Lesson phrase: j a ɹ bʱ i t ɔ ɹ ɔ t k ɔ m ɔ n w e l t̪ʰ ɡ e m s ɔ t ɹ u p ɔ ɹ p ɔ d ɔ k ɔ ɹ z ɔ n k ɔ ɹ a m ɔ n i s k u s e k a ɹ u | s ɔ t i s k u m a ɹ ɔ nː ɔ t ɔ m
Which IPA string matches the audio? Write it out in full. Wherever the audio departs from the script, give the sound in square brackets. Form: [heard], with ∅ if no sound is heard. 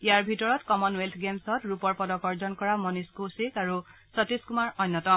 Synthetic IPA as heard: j a ɹ bʱ i t ɔ ɹ ɔ t k ɔ m ɔ n w e l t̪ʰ ɡ e m s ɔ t ɹ u p ɔ ɹ p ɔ d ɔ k ɔ ɹ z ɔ n k ɔ ɹ a m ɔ n i s k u s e k a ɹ u | s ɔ t i s k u m a ɹ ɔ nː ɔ t ɔ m